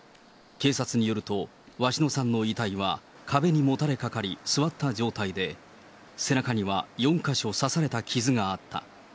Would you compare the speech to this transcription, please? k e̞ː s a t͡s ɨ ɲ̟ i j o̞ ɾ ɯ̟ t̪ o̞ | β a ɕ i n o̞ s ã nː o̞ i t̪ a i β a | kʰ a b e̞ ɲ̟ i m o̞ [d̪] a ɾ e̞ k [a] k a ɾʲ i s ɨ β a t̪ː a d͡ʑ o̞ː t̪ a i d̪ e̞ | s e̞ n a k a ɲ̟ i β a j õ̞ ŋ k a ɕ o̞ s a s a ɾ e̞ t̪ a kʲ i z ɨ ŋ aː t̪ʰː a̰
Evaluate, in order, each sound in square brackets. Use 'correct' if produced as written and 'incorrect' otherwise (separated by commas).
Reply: incorrect, correct